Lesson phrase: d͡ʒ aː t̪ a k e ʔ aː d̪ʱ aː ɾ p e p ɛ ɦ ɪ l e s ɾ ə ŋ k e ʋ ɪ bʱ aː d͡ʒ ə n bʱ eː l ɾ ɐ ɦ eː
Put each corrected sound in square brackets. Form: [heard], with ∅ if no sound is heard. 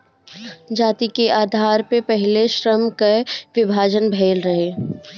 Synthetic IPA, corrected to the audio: d͡ʒ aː t̪ [i] k e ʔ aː d̪ʱ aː ɾ p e p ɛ ɦ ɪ l e [ʃ] ɾ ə [m] k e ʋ ɪ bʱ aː d͡ʒ ə n bʱ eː l ɾ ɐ ɦ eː